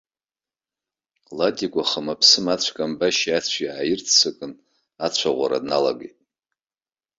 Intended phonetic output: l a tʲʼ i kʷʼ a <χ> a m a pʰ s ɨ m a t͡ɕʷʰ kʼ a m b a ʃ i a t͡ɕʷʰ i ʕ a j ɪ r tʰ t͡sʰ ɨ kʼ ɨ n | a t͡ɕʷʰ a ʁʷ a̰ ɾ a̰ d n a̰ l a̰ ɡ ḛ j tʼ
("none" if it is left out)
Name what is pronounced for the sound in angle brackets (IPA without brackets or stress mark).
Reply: χ